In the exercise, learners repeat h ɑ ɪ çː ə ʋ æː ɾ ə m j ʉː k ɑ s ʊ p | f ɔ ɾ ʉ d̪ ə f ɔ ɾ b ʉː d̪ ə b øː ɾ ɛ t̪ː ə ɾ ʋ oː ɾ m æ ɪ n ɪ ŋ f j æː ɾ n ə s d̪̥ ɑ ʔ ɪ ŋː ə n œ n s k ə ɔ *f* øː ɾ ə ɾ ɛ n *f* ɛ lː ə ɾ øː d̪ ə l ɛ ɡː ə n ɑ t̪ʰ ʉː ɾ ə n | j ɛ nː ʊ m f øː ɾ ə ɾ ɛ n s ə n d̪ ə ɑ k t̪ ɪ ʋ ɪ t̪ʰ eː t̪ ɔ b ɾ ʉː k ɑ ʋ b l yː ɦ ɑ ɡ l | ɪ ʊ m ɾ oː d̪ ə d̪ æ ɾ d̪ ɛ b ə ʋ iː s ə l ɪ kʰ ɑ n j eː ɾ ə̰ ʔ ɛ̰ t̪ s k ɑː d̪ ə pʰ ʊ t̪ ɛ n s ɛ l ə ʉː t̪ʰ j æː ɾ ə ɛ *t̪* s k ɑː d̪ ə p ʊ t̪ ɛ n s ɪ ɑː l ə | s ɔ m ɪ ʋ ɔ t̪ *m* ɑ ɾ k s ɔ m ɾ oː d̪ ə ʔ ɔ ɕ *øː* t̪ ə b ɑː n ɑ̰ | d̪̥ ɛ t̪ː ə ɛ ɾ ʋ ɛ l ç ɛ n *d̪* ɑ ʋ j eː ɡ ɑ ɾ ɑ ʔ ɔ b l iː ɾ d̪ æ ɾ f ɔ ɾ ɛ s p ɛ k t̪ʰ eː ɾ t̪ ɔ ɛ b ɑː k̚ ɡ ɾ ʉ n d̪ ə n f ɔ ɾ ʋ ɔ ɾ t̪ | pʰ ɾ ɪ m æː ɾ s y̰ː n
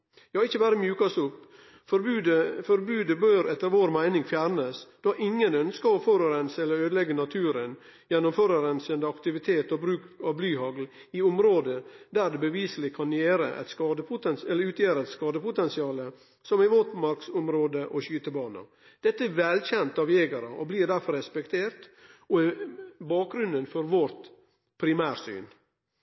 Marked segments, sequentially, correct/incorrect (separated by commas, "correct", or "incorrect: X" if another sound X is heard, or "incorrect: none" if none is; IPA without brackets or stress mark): correct, incorrect: s, correct, correct, incorrect: yː, incorrect: t̪